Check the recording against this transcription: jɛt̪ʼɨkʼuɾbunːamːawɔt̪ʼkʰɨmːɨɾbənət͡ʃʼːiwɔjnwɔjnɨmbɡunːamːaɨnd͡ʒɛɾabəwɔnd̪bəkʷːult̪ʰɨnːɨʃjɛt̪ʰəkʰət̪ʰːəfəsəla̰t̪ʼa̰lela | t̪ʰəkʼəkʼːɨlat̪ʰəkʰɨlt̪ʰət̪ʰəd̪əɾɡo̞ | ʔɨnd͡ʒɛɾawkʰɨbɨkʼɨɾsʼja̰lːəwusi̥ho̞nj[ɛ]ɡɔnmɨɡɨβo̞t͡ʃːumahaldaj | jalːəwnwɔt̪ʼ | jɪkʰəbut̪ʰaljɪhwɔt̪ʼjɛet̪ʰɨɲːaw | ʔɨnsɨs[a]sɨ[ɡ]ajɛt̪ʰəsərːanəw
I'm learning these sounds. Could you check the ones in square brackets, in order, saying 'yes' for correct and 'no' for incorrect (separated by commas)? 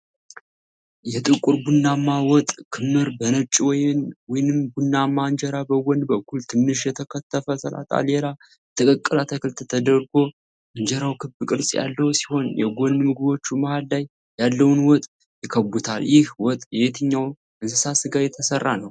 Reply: yes, yes, yes